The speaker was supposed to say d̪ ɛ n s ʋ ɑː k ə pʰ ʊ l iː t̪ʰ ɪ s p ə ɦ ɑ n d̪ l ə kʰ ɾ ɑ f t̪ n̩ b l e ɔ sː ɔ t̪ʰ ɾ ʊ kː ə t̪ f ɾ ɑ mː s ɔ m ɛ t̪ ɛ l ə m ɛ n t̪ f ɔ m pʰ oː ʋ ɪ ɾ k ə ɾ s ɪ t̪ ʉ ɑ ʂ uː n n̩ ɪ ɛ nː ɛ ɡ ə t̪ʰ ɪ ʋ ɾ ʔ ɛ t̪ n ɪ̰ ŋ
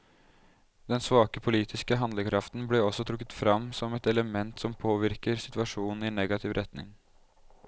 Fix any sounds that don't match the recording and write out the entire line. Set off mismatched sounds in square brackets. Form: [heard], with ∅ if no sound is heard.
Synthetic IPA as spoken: d̪ ɛ n s ʋ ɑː k ə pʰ ʊ l iː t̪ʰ ɪ s [k] ə ɦ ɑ n d̪ l ə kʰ ɾ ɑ f t̪ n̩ b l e ɔ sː ɔ t̪ʰ ɾ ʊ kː ə t̪ f ɾ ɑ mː s ɔ m ɛ t̪ ɛ l ə m ɛ n t̪ [s] ɔ m pʰ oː ʋ ɪ ɾ k ə ɾ s ɪ t̪ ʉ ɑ ʂ uː n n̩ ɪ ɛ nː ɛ ɡ [ɑ] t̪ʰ ɪ ʋ ɾ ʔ ɛ t̪ n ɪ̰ ŋ